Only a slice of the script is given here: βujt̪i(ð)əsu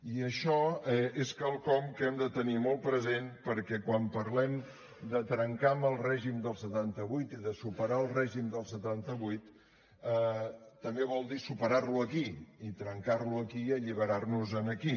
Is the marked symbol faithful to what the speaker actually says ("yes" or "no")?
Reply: yes